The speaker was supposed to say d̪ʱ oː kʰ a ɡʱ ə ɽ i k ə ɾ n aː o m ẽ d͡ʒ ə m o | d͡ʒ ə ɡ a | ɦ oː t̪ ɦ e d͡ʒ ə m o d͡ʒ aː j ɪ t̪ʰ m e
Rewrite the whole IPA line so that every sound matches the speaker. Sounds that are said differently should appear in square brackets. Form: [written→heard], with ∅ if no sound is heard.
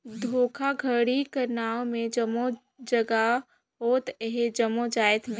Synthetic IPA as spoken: d̪ʱ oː kʰ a ɡʱ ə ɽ i k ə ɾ n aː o m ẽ d͡ʒ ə m o | d͡ʒ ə ɡ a | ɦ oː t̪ ɦ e d͡ʒ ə m o d͡ʒ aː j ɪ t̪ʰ m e